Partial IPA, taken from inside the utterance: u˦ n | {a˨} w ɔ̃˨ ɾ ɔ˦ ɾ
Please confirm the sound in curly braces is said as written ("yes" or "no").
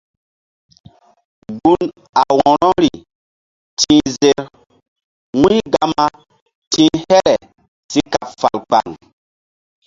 yes